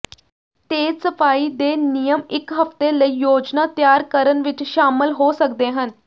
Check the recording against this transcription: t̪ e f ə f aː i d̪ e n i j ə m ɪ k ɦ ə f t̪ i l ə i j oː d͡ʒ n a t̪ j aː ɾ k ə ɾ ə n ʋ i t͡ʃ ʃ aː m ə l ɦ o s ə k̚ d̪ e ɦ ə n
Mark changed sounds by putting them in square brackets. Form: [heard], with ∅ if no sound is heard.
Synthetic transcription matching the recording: t̪ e [s] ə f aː i d̪ e n i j ə m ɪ k ɦ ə f t̪ [e] l ə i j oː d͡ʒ n a t̪ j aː ɾ k ə ɾ ə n ʋ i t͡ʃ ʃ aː m ə l ɦ o s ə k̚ d̪ e ɦ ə n